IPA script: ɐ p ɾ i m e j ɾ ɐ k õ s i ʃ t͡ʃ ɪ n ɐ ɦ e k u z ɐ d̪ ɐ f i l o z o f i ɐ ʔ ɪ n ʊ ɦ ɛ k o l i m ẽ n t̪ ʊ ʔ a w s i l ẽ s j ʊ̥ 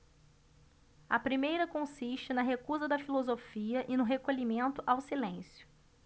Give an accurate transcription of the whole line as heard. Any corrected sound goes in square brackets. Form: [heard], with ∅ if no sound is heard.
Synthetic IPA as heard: ɐ p ɾ i m e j ɾ ɐ k õ s i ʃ t͡ʃ ɪ n ɐ ɦ e k u z ɐ d̪ ɐ f i l o z o f i ɐ ʔ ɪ n ʊ ɦ [e] k o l i m ẽ n t̪ ʊ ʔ a w s i l ẽ s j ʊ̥

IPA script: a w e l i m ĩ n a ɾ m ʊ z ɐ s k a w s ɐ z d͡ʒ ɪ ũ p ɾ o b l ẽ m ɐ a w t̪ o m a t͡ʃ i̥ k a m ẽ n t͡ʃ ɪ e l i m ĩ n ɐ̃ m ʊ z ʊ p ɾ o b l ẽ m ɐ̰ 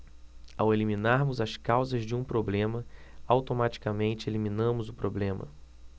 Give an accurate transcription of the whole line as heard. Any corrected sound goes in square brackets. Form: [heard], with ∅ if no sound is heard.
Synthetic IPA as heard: a w e l i m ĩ n a ɾ m ʊ z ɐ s k a w [z] ɐ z d͡ʒ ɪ ũ p ɾ o b l ẽ m ɐ a w t̪ o m a t͡ʃ i̥ k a m ẽ n t͡ʃ ɪ e l i m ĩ n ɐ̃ m ʊ z ʊ p ɾ o b l ẽ m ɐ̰

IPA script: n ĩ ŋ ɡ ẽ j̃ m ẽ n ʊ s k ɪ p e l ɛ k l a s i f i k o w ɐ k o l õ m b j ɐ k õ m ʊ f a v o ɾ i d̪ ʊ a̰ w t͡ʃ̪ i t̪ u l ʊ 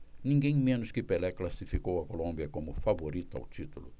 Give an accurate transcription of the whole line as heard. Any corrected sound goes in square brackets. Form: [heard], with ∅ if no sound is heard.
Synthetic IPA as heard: n ĩ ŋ ɡ ẽ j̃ m ẽ n ʊ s k ɪ p e l ɛ k l a s i f i k o w ɐ k o l õ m b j ɐ k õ m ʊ f a v o ɾ i [t̪] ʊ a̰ w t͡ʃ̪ i t̪ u l ʊ

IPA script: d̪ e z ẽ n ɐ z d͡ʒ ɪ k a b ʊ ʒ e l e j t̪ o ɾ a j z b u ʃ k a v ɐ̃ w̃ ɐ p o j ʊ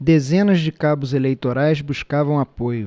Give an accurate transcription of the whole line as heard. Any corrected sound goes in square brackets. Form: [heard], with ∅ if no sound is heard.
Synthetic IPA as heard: d̪ e z ẽ n ɐ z d͡ʒ ɪ k a b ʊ [z] e l e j t̪ o ɾ a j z b u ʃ k a v ɐ̃ w̃ [a] p o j ʊ

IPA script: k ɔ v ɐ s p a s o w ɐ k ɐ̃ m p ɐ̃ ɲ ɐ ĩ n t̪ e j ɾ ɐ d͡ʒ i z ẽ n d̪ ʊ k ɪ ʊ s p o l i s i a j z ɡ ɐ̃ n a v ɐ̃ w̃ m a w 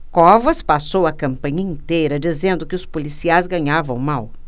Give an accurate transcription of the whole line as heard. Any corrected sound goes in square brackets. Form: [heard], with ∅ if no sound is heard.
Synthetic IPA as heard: k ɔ v ɐ s p a s o w ɐ k ɐ̃ m p ɐ̃ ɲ ɐ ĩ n t̪ e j ɾ ɐ d͡ʒ i z ẽ n d̪ ʊ k ɪ ʊ s p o l i s i a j z ɡ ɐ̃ [ɲ] a v ɐ̃ w̃ m a w

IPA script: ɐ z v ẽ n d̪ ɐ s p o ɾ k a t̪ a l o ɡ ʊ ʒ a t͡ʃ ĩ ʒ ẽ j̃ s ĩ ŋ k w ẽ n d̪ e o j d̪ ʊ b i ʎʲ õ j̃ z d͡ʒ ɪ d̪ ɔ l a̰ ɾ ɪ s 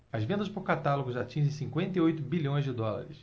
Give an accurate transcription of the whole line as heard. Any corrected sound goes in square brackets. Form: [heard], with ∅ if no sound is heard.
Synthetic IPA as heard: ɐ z v ẽ n d̪ ɐ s p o ɾ k a t̪ a l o ɡ ʊ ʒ a t͡ʃ ĩ ʒ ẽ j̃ s ĩ ŋ k w ẽ n [t̪] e o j [t̪] ʊ b i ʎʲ õ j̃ z d͡ʒ ɪ d̪ ɔ l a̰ ɾ ɪ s

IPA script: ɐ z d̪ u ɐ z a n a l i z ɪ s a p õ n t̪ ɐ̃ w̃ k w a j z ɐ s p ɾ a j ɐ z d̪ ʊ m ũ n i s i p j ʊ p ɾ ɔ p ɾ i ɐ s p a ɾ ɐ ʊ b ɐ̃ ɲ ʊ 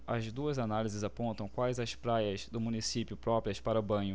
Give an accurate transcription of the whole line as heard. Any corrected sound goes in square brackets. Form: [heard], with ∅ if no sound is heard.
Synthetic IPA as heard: ɐ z d̪ u ɐ z a n a l i z ɪ [z] a p õ n t̪ ɐ̃ w̃ k w a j z ɐ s p ɾ a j ɐ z d̪ ʊ m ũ n i s i p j ʊ p ɾ ɔ p ɾ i ɐ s p a ɾ ɐ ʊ b ɐ̃ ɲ ʊ

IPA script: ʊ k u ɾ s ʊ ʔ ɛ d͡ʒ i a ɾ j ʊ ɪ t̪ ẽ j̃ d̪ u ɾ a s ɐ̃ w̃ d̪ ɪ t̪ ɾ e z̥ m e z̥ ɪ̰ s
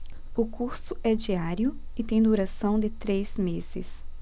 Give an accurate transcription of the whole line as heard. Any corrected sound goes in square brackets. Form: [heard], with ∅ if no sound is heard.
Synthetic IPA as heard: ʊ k u ɾ s ʊ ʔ ɛ d͡ʒ i a ɾ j ʊ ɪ t̪ ẽ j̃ d̪ u ɾ a s ɐ̃ w̃ d̪ ɪ t̪ ɾ e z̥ m e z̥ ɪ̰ s

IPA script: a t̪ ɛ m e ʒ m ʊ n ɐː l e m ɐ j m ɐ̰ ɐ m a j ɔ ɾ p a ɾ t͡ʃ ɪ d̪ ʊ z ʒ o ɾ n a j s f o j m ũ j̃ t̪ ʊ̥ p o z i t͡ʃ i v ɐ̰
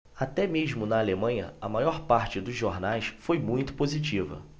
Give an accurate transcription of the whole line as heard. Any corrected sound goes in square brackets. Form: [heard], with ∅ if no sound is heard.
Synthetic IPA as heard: a t̪ ɛ m e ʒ m ʊ n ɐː l e m [ɐ̃] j [ɲ] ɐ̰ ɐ m a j ɔ ɾ p a ɾ t͡ʃ ɪ d̪ ʊ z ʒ o ɾ n a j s f o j m ũ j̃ t̪ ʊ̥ p o z i t͡ʃ i v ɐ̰

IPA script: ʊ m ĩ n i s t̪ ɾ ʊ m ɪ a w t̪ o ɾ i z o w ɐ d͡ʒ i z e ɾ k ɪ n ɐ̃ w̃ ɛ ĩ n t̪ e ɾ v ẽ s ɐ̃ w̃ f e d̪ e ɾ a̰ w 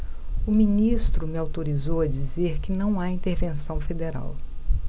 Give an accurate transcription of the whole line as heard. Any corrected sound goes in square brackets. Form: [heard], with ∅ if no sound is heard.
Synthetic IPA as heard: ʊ m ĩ n i s t̪ ɾ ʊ m ɪ a w t̪ o ɾ i z o w ɐ d͡ʒ i z e ɾ k ɪ n ɐ̃ w̃ [a] ĩ n t̪ e ɾ v ẽ s ɐ̃ w̃ f e d̪ e ɾ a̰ w

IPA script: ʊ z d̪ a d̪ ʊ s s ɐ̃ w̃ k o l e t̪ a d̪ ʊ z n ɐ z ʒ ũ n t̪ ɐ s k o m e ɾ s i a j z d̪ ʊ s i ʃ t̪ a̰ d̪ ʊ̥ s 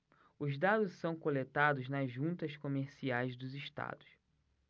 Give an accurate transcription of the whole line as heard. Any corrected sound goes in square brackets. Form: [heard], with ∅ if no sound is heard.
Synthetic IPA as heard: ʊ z d̪ a d̪ ʊ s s ɐ̃ w̃ k o l e t̪ a d̪ ʊ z n ɐ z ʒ ũ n t̪ ɐ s k o m e ɾ s i a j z d̪ ʊ [z] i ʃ t̪ a̰ d̪ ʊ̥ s

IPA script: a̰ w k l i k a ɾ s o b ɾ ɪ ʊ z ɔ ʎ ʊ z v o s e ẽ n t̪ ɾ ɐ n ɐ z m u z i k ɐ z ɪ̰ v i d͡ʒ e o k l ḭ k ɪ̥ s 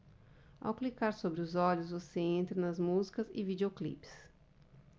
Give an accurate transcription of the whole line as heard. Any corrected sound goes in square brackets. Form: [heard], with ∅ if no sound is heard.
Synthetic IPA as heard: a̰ w k l i k a ɾ s o b ɾ ɪ ʊ z ɔ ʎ ʊ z v o s e ẽ n t̪ ɾ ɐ n ɐ z m u z i k ɐ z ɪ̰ v i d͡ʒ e o k l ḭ [p] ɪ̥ s

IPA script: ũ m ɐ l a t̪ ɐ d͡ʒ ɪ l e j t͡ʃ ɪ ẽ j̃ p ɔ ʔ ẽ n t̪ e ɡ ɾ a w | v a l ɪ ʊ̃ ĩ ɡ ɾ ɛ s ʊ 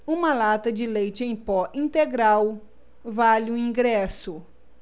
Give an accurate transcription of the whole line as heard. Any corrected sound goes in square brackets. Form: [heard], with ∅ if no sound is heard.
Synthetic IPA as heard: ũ m ɐ l a t̪ ɐ d͡ʒ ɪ l e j t͡ʃ ɪ ẽ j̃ p ɔ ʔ [ĩ] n t̪ e ɡ ɾ a w | v a l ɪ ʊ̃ ĩ ɡ ɾ ɛ s ʊ

